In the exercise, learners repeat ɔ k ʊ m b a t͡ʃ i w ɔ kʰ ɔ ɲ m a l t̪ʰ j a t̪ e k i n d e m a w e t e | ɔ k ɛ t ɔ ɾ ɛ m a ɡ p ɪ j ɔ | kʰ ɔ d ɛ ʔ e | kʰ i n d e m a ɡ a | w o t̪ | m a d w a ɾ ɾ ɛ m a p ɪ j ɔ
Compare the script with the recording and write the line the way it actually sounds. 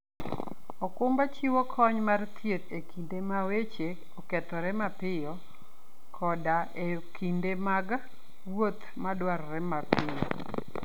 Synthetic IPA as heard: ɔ k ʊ m b a t͡ʃ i w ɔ kʰ ɔ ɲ m a r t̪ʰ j e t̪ e k i n d e m a w e t͡ʃ e | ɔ k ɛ t ɔ ɾ ɛ m a p ɪ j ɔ | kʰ ɔ d a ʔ e | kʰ i n d e m a ɡ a | w o t̪ | m a d w a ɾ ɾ ɛ m a p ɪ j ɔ